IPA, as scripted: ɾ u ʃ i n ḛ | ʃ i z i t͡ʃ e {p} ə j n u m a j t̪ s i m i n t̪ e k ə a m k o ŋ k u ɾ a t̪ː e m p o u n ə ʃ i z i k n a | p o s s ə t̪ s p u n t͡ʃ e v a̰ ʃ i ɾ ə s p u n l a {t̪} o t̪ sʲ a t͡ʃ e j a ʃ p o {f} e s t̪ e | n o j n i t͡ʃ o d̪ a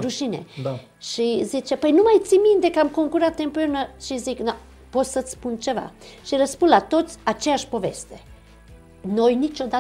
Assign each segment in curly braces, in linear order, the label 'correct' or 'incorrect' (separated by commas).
correct, correct, incorrect